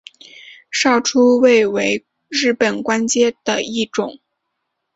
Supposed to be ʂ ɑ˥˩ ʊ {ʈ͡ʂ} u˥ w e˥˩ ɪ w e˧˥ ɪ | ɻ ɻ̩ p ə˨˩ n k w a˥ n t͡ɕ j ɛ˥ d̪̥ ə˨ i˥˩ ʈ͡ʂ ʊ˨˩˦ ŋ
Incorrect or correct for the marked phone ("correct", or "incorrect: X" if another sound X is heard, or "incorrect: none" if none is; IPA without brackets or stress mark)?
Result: incorrect: ʈ͡ʂʰ